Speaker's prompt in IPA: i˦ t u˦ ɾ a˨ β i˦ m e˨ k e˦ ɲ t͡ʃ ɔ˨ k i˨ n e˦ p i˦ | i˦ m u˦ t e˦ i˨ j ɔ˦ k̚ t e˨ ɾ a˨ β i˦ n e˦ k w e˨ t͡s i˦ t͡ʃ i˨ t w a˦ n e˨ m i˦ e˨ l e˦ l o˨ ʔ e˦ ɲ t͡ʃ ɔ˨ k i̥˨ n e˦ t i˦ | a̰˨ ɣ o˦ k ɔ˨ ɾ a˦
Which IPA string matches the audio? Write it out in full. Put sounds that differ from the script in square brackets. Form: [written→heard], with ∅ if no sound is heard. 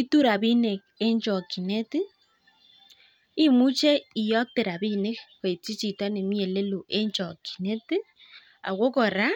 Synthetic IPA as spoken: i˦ t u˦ ɾ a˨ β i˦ [m→n] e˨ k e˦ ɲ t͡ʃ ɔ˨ k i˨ n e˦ [p→t] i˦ | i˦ m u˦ [t→t͡ʃ] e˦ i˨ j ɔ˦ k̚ t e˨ ɾ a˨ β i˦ n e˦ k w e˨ t͡s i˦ t͡ʃ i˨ t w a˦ n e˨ m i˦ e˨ l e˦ l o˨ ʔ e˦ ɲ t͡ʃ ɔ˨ k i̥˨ n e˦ t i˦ | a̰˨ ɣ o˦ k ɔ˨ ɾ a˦